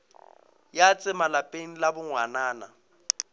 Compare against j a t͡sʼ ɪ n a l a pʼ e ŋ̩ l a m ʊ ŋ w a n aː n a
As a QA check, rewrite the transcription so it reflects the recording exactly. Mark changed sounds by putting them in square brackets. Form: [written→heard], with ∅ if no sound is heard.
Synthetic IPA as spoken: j a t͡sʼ ɪ [n→m] a l a pʼ e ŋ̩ l a [m→b] ʊ ŋ w a n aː n a